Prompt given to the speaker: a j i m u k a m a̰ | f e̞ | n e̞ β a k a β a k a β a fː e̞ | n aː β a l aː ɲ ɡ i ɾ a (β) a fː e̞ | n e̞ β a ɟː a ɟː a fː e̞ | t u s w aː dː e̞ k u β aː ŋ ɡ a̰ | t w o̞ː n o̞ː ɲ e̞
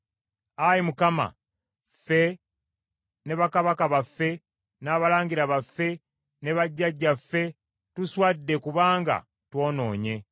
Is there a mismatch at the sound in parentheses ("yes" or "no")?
no